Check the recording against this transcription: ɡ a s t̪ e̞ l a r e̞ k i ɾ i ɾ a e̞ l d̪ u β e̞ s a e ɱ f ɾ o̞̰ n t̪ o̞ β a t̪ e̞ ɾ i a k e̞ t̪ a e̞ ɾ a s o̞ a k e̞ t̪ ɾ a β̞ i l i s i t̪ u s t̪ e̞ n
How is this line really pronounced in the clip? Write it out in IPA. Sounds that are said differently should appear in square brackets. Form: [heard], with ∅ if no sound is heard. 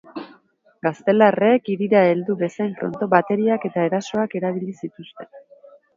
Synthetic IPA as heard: ɡ a s t̪ e̞ l a r e̞ k i ɾ i ɾ a e̞ l d̪ u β e̞ s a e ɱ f ɾ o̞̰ n t̪ o̞ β a t̪ e̞ ɾ i a k e̞ t̪ a e̞ ɾ a s o̞ a k e̞ [∅] ɾ a β̞ i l i s i t̪ u s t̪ e̞ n